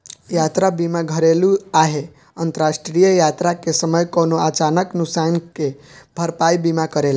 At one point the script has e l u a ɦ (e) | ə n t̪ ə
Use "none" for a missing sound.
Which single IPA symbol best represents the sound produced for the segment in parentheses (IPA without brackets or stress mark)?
e